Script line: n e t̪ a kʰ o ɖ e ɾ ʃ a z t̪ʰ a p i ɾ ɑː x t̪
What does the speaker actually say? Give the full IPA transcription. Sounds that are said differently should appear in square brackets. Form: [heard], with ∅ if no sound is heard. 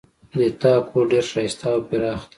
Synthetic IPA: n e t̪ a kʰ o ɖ e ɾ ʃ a [s] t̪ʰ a p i ɾ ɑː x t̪